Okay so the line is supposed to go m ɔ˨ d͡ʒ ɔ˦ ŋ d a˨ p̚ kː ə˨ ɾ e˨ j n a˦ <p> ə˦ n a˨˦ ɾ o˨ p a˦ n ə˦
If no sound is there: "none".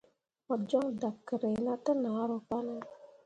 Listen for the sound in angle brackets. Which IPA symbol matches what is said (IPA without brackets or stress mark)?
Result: t